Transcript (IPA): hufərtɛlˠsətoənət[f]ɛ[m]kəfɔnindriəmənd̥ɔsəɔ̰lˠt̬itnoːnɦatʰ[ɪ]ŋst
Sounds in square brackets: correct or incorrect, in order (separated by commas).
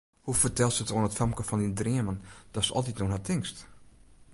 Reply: correct, correct, correct